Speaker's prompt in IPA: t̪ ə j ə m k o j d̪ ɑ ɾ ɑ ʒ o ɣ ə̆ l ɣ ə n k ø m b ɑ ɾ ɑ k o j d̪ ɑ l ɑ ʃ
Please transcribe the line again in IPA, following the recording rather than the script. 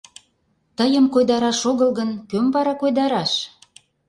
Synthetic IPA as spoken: t̪ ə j ə m k o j d̪ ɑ ɾ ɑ ʃ o ɣ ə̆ l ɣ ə n k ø m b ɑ ɾ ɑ k o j d̪ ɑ ɾ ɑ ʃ